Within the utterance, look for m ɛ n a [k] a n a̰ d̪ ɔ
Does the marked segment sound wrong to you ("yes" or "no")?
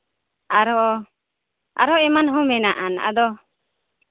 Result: yes